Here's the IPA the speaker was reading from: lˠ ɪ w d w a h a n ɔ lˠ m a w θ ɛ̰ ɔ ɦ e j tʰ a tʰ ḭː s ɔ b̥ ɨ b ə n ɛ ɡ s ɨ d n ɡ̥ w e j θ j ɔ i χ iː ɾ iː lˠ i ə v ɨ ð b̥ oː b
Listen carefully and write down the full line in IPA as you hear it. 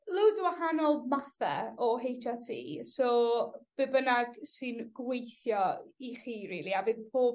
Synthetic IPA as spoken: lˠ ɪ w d w a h a n ɔ lˠ m a θ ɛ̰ ɔ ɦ e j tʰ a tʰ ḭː s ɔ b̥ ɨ b ə n a ɡ s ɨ n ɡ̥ w e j θ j ɔ i χ iː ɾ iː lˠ i a v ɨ ð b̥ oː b